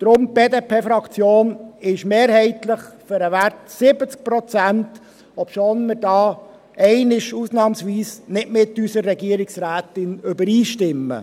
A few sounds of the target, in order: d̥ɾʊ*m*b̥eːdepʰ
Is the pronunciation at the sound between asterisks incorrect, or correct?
correct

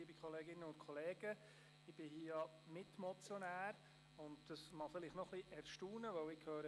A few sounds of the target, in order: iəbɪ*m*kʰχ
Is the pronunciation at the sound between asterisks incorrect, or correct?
incorrect: none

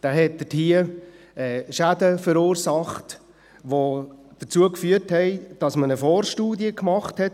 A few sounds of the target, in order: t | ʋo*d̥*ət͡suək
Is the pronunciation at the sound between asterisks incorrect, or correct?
correct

